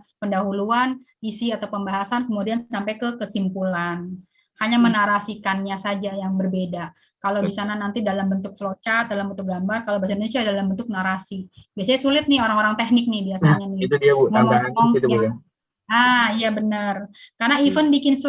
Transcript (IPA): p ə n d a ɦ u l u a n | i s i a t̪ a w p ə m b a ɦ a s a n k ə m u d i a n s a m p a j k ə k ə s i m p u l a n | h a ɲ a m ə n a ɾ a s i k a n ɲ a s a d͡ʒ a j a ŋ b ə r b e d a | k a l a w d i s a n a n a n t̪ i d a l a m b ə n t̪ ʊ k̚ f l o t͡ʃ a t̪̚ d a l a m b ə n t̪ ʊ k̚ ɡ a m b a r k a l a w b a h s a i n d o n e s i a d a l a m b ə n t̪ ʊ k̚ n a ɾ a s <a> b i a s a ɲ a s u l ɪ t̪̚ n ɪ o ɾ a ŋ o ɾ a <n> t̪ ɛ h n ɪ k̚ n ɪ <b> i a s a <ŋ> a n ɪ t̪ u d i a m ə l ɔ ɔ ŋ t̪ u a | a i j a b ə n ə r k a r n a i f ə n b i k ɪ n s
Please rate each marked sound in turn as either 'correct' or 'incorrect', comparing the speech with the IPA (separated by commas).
incorrect, incorrect, correct, incorrect